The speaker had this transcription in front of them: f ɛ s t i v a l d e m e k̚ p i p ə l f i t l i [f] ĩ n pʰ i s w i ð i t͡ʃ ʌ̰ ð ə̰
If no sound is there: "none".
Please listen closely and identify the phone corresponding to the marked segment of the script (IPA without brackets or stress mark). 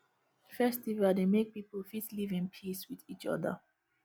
v